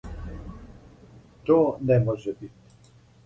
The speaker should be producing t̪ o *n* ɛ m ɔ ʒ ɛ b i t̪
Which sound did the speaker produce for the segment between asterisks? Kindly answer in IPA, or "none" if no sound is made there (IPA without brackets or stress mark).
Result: n